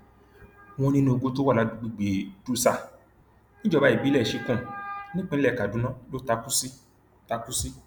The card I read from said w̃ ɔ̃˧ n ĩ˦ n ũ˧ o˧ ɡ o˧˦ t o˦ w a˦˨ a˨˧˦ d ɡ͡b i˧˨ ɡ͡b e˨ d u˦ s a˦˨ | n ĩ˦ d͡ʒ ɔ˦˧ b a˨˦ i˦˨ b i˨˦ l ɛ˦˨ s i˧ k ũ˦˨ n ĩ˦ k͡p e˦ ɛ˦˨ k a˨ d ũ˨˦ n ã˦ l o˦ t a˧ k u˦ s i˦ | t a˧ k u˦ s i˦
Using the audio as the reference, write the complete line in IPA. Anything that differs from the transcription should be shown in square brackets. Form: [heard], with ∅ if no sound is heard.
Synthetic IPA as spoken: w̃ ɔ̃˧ n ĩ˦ n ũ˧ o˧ ɡ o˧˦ t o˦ w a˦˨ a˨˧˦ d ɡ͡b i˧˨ ɡ͡b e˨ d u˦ s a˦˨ | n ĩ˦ d͡ʒ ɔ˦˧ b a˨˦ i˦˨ b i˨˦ l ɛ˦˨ [ʃ] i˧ k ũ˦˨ n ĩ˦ k͡p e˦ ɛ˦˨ k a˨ d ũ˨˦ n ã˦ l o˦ t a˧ k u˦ s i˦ | t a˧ k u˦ s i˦